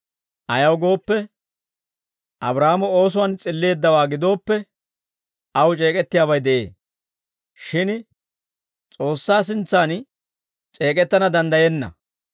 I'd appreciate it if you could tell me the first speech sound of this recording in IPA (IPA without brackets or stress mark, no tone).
ʔ